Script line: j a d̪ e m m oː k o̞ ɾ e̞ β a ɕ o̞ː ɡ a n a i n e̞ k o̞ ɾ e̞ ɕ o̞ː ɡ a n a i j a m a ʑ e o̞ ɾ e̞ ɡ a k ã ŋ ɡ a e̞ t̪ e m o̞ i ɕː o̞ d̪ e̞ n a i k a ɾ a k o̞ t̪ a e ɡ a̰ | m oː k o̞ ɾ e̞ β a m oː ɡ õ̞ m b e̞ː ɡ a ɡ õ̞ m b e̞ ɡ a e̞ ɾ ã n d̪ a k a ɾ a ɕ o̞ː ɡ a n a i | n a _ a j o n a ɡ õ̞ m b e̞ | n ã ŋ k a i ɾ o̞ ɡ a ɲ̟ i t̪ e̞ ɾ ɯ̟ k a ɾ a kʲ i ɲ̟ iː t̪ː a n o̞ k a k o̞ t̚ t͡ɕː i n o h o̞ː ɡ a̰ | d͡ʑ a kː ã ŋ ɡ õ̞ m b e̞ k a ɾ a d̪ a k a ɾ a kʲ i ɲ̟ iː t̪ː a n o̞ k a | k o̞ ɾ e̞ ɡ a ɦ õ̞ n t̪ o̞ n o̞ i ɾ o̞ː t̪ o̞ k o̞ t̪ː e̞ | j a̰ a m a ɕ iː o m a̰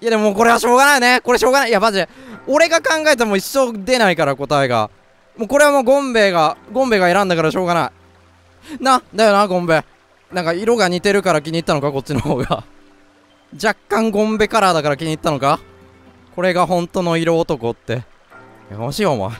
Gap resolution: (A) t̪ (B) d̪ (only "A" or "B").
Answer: B